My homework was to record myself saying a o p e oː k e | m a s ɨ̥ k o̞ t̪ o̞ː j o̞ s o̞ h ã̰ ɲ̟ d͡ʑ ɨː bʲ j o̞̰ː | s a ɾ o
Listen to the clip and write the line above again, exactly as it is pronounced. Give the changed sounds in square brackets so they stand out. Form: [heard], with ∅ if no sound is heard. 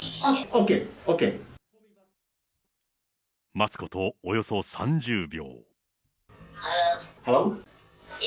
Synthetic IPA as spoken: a o [k] e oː k e | m a [t͡s] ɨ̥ k o̞ t̪ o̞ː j o̞ s o̞ [s] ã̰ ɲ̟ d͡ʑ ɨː bʲ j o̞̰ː | [h] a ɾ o